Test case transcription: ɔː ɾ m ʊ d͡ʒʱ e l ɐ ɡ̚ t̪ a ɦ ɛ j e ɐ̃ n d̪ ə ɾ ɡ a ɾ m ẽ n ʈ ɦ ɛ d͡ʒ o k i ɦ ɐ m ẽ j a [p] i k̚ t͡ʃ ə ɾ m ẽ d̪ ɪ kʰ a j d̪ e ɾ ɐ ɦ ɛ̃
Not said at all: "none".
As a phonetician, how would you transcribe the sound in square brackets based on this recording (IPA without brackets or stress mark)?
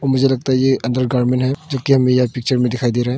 p